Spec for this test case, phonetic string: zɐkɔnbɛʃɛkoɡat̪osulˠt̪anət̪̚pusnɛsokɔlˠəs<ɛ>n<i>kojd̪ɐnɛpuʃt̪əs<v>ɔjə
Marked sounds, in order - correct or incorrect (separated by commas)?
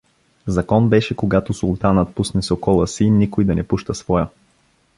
incorrect, correct, correct